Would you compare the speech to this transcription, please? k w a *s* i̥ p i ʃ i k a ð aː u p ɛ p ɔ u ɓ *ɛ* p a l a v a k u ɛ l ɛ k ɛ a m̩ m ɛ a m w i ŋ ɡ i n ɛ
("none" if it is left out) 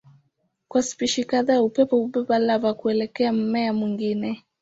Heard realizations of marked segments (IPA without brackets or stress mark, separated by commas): s, ɛ